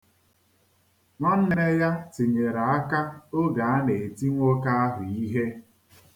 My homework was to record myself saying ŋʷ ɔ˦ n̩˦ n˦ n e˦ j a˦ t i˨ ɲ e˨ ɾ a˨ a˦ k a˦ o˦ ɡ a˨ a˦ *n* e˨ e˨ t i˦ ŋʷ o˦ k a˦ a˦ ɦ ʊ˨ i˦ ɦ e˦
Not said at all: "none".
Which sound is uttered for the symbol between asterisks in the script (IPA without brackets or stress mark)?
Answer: n